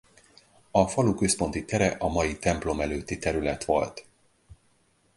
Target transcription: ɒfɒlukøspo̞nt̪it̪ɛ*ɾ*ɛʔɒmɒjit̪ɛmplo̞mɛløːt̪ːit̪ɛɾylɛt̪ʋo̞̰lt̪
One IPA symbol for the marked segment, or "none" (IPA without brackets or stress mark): ɾ